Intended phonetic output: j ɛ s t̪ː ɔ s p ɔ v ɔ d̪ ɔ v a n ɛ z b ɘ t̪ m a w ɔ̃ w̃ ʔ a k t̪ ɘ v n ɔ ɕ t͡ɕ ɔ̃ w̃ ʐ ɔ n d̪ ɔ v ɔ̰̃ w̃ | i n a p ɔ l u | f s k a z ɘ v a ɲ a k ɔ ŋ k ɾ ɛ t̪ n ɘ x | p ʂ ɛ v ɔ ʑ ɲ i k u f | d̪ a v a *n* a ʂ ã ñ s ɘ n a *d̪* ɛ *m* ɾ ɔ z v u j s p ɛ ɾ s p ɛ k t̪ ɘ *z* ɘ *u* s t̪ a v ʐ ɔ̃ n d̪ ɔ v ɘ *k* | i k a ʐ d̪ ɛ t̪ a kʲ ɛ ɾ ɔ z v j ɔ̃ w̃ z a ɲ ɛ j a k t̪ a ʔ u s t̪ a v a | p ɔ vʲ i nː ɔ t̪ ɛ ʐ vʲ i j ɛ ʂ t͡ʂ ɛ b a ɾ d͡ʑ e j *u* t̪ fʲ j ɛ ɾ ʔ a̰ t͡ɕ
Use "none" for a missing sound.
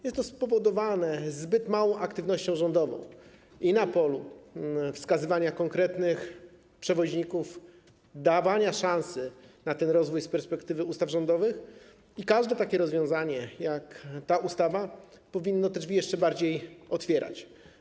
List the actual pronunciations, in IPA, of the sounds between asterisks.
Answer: ɲ, t̪, n, v, u, x, ɔ

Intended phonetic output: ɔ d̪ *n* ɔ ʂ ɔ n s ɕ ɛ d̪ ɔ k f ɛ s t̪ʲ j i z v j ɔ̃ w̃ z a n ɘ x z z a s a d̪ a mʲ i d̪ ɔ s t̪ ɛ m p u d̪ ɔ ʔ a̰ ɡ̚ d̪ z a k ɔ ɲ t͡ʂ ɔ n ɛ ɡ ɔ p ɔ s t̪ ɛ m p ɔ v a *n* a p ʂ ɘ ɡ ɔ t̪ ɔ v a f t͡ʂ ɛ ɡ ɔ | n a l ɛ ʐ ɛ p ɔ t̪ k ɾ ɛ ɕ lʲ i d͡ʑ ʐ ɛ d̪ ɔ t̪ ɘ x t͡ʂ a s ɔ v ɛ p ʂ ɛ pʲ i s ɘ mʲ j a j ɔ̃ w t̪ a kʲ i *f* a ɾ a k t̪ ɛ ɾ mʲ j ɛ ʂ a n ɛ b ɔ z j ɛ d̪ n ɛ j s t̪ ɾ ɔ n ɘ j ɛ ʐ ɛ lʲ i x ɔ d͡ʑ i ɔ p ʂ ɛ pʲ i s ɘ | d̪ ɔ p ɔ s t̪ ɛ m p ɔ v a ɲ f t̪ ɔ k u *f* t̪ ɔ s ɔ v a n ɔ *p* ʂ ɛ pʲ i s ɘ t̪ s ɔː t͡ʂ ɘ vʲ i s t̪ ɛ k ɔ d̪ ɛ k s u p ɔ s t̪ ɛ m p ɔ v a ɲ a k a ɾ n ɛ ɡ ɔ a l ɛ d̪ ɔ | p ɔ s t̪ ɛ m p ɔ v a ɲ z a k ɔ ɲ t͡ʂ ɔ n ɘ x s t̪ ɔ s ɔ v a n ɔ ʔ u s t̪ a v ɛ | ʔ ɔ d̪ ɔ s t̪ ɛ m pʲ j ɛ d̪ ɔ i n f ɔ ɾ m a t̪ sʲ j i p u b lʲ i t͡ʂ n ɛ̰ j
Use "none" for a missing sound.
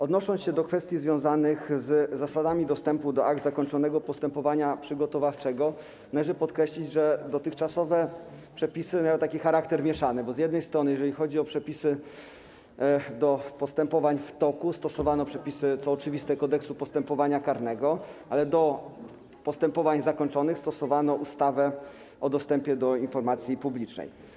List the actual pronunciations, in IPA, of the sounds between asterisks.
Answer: n, ɲ, x, s, p

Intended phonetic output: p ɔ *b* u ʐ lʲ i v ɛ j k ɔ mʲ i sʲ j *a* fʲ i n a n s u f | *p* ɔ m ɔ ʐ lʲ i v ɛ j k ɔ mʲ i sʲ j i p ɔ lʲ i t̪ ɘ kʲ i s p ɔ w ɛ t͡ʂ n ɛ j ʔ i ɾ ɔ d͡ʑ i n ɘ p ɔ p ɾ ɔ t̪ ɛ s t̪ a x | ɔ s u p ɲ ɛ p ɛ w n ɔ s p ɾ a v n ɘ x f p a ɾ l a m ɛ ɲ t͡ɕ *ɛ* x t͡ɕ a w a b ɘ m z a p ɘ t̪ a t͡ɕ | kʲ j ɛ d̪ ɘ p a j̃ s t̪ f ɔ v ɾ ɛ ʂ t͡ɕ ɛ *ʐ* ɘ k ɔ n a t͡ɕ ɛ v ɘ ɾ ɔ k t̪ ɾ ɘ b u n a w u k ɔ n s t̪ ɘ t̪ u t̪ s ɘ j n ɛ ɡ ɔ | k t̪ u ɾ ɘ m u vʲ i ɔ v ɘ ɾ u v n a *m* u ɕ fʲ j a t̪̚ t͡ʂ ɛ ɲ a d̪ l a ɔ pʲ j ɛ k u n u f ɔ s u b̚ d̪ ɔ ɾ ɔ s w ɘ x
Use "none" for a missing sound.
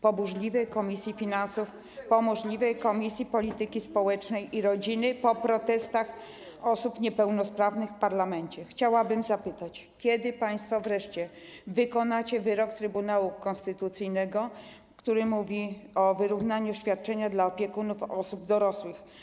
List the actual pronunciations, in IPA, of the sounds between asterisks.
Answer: b, i, p, ɛ, v, ɲ

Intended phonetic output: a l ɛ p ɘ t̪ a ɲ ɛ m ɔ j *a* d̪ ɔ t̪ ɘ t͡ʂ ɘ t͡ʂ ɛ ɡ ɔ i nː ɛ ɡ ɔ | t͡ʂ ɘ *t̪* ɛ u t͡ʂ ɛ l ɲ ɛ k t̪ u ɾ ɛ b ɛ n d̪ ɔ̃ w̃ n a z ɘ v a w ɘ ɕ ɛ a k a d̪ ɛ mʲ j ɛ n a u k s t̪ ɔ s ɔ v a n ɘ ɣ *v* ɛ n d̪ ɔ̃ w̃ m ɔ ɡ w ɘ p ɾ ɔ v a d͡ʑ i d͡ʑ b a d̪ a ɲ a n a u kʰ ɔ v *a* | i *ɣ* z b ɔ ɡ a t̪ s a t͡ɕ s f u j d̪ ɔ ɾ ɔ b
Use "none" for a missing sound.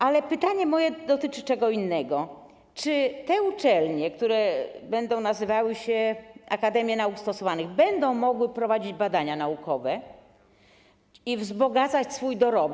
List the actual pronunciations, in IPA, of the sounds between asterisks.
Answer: ɛ, t̪, b, ɛ, v

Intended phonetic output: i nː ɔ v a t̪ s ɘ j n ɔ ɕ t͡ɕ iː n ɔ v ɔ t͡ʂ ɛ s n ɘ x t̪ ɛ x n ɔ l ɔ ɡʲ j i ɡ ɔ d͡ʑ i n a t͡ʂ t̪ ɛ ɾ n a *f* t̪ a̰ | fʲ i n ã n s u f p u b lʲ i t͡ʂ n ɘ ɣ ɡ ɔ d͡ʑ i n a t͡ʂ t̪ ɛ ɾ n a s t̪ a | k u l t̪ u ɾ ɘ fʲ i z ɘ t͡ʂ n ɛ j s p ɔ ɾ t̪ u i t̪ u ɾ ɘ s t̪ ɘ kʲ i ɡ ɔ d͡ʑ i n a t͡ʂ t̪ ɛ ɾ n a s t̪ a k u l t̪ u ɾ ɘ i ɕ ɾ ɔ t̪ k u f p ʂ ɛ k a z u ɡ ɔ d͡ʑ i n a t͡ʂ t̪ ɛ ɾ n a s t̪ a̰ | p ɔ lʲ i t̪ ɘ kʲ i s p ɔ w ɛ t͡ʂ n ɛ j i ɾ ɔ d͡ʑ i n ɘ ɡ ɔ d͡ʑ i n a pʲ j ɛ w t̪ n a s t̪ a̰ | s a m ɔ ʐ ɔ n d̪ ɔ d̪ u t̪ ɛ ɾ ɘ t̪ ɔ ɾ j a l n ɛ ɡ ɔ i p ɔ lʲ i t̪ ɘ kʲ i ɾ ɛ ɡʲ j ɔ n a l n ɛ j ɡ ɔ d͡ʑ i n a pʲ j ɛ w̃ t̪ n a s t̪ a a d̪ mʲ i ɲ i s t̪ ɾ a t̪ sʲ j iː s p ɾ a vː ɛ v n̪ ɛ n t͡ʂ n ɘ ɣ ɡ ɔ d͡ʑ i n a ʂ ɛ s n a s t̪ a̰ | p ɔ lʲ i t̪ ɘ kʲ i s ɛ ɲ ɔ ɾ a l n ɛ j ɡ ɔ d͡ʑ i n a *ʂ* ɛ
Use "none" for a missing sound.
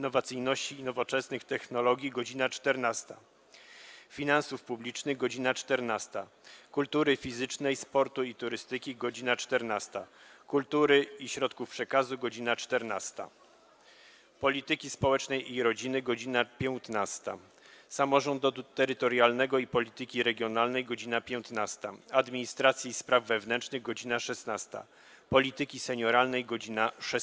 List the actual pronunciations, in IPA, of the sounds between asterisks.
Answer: s, ʂ

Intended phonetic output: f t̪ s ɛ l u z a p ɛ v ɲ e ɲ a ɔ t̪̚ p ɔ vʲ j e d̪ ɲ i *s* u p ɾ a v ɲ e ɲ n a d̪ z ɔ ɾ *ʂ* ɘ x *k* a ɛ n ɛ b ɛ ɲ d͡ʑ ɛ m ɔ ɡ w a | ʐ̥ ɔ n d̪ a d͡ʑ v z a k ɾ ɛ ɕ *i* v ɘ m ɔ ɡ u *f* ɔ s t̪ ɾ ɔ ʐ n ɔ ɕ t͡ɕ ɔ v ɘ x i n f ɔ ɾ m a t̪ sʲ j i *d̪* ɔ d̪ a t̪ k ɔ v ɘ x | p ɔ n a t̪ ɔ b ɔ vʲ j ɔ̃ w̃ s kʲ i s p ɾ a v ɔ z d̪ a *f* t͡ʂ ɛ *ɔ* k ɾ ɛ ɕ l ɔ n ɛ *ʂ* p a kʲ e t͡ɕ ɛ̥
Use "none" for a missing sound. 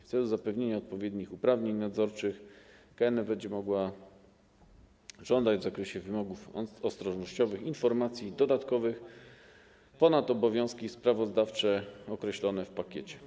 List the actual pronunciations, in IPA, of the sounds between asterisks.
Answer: x, t͡ʂ, k, ɛ, f, d̪, f, ɔ, f

